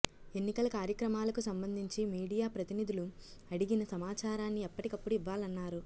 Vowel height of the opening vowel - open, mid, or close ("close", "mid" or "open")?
mid